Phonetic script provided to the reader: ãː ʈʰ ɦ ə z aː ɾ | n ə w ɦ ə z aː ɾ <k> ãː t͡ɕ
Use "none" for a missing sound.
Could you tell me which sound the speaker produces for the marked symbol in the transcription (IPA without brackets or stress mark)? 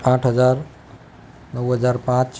p